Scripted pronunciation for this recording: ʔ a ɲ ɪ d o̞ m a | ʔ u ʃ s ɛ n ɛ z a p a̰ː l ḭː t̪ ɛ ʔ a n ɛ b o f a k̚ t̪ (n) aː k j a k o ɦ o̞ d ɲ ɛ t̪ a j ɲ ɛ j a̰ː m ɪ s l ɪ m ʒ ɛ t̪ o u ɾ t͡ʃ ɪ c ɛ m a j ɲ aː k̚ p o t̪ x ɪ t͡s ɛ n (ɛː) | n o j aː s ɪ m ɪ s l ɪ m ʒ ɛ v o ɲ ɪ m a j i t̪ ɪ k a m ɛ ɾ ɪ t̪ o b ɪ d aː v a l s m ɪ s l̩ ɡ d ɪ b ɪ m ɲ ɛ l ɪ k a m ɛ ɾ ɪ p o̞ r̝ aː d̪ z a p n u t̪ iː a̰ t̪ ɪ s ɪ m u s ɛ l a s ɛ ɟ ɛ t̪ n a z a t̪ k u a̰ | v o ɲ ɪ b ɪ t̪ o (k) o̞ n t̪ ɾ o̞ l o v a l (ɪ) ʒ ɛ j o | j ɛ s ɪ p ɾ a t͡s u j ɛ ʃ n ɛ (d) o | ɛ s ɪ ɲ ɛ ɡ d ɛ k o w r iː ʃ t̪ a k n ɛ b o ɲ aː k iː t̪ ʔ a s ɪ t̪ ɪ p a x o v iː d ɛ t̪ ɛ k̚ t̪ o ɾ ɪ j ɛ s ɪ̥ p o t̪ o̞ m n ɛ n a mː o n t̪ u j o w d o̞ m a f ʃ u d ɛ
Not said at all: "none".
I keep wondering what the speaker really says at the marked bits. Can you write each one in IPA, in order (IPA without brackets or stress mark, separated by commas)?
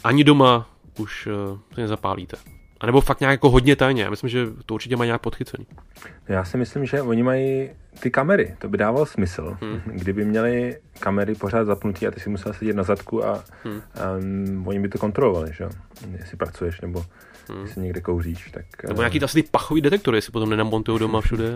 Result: ɲ, iː, k, ɪ, b